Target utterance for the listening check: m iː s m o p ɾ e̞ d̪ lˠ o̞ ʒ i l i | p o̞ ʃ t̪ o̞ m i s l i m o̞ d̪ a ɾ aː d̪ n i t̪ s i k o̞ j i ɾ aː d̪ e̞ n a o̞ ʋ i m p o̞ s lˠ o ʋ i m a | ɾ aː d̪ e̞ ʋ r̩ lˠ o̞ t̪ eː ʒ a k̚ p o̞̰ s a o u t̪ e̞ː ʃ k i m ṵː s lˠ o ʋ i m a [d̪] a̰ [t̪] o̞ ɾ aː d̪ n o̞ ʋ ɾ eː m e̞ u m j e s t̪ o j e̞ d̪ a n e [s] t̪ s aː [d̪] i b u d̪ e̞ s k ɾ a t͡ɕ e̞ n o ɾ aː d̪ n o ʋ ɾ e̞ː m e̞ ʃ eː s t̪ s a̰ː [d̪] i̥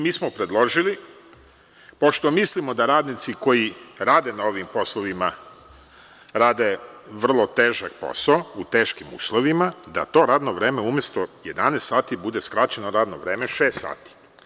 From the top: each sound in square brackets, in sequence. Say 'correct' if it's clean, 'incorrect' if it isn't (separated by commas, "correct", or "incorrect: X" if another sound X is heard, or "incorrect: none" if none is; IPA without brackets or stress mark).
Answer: correct, correct, correct, incorrect: t̪, incorrect: t̪